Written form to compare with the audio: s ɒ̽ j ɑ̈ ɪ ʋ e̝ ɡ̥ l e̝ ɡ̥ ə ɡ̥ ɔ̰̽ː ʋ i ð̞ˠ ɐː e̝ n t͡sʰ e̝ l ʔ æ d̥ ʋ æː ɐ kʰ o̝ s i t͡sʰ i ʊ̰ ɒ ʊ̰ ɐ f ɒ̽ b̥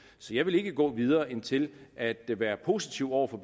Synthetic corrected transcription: s ɒ̽ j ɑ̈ ɪ ʋ e̝ l e̝ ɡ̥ ə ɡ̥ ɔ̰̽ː ʋ i ð̞ˠ ɐː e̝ n t͡sʰ e̝ l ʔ æ d̥ ʋ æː ɐ pʰ o̝ s i t͡sʰ i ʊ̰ ɒ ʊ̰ ɐ f ɒ̽ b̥